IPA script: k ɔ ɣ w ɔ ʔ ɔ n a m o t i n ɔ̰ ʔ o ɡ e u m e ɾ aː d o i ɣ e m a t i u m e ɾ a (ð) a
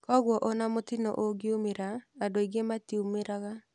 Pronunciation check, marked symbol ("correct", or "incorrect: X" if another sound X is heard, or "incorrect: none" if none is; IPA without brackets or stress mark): incorrect: ɣ